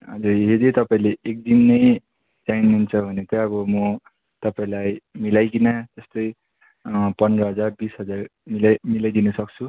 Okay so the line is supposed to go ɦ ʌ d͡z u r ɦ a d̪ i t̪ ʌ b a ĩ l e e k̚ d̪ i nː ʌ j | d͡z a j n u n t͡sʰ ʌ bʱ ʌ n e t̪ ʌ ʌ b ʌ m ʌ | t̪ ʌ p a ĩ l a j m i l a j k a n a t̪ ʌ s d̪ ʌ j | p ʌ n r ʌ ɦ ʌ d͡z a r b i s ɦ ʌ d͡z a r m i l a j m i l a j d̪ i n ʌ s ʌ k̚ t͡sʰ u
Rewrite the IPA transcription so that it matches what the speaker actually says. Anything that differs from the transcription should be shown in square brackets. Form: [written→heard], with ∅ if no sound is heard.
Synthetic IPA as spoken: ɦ ʌ d͡z u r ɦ [a→e] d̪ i t̪ ʌ [b→p] a ĩ l e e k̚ d̪ i nː ʌ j | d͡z a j n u n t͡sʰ ʌ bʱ ʌ n e t̪ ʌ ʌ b ʌ m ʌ | t̪ ʌ p a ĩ l a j m i l a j k [a→i] n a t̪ ʌ s [d̪→t̪] ʌ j | p ʌ n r ʌ ɦ ʌ d͡z a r b i s ɦ ʌ d͡z a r m i l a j m i l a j d̪ i n ʌ s ʌ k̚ t͡sʰ u